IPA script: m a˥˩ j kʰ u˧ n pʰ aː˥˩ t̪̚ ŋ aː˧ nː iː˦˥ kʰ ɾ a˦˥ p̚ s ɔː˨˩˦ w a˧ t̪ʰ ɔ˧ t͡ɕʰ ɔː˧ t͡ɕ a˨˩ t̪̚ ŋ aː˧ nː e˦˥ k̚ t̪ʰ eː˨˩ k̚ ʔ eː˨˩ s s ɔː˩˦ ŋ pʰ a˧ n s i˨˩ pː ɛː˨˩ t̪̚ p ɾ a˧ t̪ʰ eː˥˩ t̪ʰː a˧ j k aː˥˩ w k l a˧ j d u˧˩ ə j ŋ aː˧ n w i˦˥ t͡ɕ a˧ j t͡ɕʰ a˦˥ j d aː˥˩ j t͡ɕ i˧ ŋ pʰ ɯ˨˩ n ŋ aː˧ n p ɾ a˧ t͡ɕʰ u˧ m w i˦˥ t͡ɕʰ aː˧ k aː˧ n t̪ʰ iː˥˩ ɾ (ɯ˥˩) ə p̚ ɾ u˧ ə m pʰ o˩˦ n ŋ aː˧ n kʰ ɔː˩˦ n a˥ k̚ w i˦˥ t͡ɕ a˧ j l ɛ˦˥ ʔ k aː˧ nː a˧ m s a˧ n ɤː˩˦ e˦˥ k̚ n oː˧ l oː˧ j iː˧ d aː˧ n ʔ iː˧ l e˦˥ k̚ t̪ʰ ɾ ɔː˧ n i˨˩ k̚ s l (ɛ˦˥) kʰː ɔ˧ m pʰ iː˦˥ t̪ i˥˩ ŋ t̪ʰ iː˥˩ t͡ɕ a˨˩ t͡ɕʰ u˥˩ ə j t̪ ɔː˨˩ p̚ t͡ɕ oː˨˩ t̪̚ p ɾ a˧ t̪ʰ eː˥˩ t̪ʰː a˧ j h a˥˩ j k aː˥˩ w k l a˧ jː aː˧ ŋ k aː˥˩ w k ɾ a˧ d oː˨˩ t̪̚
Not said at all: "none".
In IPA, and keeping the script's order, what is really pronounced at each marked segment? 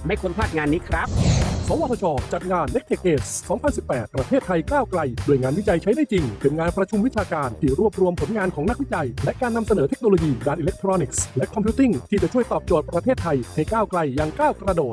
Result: u˥˩, ɛ˦˥

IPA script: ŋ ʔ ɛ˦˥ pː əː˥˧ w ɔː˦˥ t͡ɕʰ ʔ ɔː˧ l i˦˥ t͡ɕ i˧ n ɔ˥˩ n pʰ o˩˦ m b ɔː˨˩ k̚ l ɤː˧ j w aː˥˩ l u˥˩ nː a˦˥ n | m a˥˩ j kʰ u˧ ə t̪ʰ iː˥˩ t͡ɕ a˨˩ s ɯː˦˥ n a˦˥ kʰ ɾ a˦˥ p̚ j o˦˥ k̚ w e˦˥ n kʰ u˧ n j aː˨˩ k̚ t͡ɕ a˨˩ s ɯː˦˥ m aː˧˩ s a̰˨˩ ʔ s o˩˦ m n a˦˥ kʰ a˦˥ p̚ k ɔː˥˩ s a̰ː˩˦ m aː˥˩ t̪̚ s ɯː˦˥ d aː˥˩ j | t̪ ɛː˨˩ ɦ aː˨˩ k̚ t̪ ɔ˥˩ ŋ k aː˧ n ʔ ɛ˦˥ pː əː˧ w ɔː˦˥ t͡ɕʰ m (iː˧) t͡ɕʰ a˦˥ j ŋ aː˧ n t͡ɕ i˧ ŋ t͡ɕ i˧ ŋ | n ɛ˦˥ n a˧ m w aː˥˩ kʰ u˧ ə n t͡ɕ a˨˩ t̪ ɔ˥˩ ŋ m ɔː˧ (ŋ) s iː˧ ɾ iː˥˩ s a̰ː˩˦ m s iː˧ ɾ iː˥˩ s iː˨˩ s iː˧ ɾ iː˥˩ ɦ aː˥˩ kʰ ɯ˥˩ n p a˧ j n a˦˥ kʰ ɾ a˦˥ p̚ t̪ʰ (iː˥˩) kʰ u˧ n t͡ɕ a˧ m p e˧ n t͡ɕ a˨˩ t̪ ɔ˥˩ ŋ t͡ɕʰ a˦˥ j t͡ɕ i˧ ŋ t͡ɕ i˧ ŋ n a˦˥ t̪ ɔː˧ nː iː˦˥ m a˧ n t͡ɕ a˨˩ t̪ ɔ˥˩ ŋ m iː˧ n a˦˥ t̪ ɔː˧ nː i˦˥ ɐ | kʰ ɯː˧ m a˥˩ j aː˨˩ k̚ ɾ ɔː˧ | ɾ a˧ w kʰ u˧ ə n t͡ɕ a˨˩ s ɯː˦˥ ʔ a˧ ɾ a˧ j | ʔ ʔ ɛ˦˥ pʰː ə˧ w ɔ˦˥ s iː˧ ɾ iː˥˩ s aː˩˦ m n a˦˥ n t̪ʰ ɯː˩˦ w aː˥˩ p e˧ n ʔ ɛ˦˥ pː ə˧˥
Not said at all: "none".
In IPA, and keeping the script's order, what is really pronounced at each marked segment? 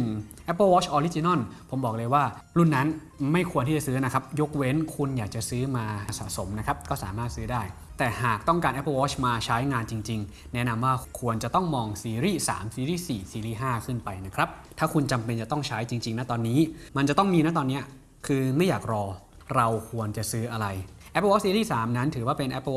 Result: aː˧, ŋ, aː˥˩

